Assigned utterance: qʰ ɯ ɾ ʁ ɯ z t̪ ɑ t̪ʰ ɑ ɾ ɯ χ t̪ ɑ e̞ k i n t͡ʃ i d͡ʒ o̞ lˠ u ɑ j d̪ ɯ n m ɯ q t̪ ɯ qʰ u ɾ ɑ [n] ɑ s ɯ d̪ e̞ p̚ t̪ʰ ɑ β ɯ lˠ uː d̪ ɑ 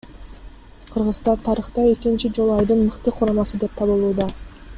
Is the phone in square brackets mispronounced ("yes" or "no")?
yes